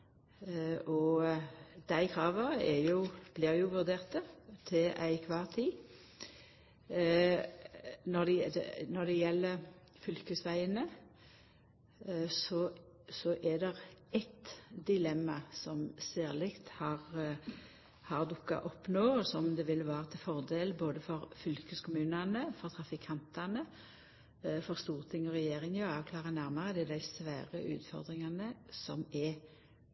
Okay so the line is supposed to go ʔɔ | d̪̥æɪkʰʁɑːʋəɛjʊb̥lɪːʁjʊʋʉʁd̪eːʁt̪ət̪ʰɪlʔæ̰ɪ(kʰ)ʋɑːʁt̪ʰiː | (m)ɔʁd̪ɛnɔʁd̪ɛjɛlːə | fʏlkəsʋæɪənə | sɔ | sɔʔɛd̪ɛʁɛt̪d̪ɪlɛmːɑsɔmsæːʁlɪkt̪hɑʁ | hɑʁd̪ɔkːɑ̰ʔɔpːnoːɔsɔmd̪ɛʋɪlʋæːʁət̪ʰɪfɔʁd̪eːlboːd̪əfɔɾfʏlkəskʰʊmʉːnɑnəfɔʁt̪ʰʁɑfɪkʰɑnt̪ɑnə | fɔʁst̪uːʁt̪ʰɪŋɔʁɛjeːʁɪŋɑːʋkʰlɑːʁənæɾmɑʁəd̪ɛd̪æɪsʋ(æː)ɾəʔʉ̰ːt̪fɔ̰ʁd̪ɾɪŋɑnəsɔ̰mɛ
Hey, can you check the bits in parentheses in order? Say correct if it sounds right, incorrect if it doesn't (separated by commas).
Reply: correct, incorrect, correct